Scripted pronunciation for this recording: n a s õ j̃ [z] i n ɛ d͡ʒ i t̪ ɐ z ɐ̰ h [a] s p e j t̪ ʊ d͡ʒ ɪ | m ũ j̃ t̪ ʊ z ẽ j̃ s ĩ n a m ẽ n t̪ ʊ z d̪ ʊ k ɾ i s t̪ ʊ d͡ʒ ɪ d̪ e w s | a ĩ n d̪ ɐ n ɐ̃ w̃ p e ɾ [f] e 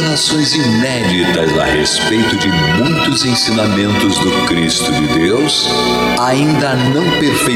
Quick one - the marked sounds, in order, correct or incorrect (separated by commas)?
correct, incorrect, correct